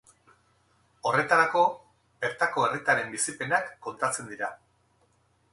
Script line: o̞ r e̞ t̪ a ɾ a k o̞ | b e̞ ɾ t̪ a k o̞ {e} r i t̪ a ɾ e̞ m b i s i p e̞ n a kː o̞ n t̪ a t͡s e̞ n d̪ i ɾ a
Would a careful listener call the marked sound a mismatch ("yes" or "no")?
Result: no